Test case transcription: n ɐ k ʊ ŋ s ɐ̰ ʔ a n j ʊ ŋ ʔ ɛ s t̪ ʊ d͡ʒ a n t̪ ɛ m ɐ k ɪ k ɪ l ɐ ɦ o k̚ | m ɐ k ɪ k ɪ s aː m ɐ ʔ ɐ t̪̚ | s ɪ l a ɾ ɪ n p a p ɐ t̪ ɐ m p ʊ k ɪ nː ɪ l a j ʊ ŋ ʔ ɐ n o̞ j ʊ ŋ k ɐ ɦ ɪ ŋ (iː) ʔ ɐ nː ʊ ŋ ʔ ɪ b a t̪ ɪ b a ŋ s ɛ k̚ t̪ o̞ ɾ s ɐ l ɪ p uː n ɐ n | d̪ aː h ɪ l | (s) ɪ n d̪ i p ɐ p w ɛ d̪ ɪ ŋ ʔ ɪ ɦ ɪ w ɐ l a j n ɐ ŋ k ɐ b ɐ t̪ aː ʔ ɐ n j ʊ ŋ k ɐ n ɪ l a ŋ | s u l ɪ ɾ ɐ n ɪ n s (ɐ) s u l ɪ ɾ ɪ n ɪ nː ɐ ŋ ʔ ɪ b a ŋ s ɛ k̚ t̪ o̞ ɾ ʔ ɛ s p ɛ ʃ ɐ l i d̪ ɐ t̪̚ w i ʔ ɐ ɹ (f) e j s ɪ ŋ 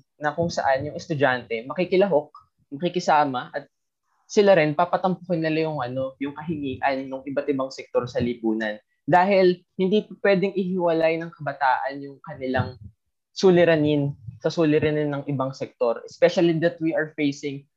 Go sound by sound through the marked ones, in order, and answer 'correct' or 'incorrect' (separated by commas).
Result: correct, incorrect, correct, correct